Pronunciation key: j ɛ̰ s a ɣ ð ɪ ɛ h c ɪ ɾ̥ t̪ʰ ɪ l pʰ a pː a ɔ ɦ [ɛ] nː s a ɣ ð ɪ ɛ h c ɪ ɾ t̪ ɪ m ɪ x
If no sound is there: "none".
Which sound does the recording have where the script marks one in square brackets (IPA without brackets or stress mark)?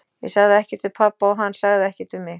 a